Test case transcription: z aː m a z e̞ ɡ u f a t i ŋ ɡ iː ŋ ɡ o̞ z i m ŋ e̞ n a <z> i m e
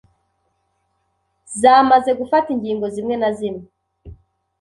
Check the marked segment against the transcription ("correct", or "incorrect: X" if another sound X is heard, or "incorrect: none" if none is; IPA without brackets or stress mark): correct